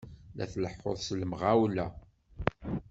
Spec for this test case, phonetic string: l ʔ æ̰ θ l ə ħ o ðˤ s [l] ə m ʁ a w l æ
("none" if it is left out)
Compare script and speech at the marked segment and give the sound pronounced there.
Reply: l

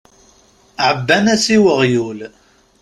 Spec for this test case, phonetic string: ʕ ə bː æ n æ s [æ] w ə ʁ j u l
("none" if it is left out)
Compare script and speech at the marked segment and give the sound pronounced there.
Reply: i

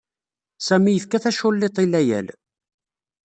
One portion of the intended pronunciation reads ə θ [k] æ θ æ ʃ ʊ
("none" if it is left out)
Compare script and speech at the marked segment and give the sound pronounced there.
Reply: k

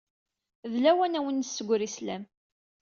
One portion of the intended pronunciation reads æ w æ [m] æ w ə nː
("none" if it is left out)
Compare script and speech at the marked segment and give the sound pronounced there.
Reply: n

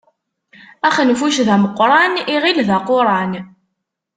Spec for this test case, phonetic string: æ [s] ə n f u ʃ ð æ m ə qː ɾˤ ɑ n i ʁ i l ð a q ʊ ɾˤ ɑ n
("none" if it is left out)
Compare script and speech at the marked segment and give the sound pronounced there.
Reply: χ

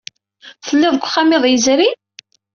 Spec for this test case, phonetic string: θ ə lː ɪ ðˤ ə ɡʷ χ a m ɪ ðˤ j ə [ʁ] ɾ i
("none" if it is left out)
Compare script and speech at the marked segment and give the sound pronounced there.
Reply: z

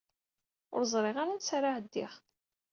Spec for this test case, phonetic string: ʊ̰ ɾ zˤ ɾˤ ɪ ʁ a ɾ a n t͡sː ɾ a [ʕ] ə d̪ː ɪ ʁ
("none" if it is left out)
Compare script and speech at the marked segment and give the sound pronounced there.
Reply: ʕ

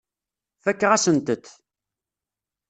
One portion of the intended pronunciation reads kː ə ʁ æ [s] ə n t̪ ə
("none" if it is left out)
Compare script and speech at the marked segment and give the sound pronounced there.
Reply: s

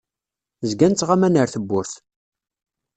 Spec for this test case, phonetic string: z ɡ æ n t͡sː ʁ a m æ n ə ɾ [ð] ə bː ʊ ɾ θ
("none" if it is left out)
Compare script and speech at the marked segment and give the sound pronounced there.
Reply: θ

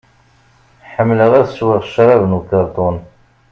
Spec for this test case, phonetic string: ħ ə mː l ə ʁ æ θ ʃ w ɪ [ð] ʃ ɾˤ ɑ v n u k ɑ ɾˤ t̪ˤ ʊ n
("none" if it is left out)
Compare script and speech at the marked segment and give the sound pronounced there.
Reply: ʁ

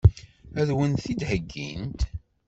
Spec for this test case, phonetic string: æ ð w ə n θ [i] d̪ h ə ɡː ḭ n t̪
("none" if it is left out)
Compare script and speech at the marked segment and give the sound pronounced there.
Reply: i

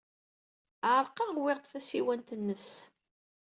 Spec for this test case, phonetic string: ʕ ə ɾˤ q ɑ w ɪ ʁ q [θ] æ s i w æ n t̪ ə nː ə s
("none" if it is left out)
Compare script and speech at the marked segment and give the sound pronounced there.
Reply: θ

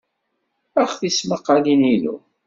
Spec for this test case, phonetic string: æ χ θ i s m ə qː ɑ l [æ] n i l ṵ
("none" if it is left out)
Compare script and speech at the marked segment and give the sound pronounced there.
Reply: i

